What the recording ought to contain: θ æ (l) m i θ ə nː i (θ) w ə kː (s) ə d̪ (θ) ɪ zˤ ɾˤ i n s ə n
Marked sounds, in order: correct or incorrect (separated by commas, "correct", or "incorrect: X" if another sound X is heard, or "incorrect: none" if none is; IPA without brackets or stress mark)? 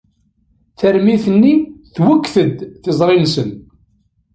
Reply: incorrect: ɾ, correct, incorrect: θ, correct